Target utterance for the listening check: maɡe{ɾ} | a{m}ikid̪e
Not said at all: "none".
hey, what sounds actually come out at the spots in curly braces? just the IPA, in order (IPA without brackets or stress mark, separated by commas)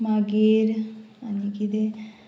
ɾ, n